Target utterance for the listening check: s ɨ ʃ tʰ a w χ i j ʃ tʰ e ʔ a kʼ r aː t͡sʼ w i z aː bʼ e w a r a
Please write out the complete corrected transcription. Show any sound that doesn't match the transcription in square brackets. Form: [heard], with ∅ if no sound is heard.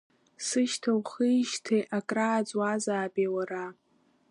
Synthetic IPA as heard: s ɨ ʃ tʰ a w χ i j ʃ tʰ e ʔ a kʼ r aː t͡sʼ w [a] z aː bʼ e w a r a